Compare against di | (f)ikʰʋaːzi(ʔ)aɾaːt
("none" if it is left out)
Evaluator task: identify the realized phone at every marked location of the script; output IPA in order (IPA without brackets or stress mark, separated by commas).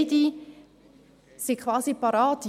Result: s, p